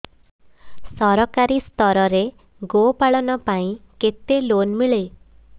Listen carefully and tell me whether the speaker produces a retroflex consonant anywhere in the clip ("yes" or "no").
yes